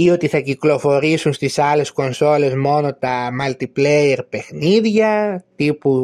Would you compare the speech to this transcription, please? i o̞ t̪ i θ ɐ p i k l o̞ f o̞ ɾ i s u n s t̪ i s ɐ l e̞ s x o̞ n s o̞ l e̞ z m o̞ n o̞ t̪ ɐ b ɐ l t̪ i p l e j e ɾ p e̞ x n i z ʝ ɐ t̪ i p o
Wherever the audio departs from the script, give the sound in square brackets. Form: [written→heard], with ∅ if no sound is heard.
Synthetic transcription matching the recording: i o̞ t̪ i θ ɐ [p→c] i k l o̞ f o̞ ɾ i s u n s t̪ i s ɐ l e̞ s [x→k] o̞ n s o̞ l e̞ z m o̞ n o̞ t̪ ɐ [b→m] ɐ l t̪ i p l e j e ɾ p e̞ x n i [z→ð] ʝ ɐ t̪ i p [o→u]